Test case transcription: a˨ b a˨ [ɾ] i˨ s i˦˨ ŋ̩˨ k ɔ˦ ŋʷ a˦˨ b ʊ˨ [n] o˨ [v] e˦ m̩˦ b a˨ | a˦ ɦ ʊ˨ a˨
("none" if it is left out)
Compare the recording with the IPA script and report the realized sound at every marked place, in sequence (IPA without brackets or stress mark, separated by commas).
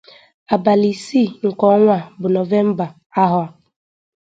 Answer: l, n, v